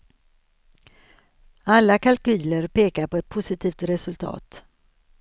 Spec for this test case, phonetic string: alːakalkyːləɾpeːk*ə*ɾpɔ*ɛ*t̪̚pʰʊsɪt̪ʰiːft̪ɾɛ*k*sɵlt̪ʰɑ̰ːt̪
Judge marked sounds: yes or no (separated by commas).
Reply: no, yes, no